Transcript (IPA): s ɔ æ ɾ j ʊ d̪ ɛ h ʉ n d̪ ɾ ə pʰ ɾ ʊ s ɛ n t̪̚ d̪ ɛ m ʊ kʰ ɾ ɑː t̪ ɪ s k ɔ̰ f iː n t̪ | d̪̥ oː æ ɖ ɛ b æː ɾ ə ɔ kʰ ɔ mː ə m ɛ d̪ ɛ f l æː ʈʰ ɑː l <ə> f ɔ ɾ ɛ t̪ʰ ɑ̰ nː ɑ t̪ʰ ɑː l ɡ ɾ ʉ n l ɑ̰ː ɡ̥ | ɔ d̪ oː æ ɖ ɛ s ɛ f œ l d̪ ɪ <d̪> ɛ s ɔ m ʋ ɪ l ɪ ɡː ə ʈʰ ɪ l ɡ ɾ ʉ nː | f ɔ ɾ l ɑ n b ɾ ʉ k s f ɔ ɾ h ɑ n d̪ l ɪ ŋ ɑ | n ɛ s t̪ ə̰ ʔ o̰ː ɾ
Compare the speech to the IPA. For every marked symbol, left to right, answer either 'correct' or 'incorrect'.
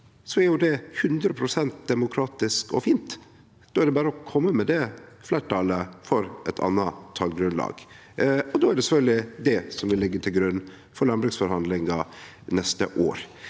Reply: correct, correct

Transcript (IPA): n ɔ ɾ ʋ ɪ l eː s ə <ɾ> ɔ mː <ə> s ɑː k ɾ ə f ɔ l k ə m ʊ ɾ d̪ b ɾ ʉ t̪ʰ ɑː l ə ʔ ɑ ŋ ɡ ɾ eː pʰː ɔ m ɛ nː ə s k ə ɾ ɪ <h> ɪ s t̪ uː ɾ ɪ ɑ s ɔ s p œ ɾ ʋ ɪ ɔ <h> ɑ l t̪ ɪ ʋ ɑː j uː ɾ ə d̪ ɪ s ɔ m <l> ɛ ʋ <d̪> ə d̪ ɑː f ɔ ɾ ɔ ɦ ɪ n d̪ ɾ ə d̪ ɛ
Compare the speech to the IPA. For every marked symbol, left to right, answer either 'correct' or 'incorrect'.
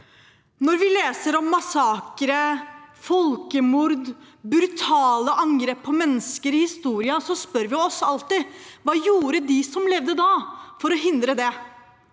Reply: correct, incorrect: ɑ, correct, incorrect: s, correct, correct

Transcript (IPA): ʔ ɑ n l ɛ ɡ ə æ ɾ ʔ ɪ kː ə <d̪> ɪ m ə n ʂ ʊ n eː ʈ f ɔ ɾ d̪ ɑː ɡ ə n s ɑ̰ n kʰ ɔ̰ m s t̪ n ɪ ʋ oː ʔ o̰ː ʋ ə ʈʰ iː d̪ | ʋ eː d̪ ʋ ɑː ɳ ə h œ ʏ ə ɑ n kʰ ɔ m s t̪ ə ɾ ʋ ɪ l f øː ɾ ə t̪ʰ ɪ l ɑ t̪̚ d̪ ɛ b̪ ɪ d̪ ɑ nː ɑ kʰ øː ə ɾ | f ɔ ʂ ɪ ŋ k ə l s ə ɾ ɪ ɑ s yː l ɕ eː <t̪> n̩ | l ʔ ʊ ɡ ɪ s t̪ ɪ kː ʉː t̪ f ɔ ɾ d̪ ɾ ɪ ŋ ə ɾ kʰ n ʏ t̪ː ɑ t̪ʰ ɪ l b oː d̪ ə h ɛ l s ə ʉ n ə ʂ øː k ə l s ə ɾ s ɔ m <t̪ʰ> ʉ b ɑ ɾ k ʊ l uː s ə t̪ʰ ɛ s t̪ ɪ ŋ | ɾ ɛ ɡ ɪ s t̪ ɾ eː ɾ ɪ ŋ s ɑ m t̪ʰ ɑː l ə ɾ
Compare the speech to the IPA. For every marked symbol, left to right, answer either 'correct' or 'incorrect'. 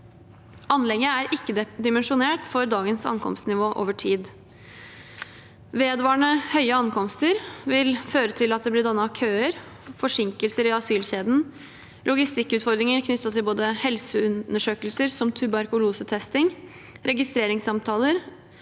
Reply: correct, incorrect: d̪, correct

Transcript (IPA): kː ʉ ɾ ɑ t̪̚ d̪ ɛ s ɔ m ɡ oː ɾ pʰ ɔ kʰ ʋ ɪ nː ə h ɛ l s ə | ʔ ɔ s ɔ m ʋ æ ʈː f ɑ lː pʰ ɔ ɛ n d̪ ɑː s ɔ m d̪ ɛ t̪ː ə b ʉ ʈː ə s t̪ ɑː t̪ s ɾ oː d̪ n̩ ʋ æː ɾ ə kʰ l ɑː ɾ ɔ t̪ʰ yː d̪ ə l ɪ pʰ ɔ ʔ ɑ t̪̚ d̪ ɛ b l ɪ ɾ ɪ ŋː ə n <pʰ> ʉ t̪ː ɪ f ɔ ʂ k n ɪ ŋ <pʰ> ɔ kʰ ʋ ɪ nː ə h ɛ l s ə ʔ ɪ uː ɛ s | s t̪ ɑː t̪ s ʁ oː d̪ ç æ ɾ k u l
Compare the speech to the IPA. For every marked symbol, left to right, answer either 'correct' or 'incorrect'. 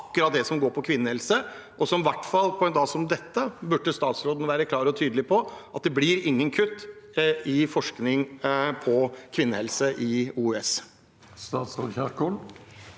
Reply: incorrect: kʰ, correct

